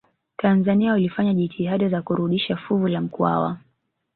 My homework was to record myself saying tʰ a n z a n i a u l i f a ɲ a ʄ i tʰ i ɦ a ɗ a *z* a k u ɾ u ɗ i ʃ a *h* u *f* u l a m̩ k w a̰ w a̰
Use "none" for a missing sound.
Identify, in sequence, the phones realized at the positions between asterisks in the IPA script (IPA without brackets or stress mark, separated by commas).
z, f, v